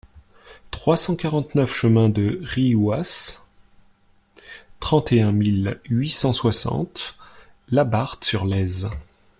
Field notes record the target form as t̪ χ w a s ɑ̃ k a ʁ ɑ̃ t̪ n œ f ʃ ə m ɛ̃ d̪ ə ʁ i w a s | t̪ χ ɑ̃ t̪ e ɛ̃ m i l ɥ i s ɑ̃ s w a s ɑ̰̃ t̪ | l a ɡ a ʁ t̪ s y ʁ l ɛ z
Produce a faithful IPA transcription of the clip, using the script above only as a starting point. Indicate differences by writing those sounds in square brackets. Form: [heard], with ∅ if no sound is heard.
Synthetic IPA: t̪ χ w a s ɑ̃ k a ʁ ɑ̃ t̪ n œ f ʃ ə m ɛ̃ d̪ ə ʁ i w a s | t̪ χ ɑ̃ t̪ e ɛ̃ m i l ɥ i s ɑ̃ s w a s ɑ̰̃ t̪ | l a [b] a ʁ t̪ s y ʁ l ɛ z